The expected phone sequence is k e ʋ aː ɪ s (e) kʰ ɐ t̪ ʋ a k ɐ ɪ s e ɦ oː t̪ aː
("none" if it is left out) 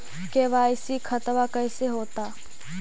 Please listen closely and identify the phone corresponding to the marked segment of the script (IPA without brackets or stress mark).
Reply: i